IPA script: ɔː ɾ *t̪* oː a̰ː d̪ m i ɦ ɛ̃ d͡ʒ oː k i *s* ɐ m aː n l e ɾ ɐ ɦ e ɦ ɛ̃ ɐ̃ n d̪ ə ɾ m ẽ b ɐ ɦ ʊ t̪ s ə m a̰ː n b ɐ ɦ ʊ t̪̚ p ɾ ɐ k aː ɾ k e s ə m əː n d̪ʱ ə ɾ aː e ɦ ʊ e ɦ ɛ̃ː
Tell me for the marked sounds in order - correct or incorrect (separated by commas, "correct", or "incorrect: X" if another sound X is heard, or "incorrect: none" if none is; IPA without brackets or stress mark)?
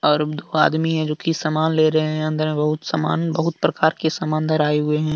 incorrect: d̪, correct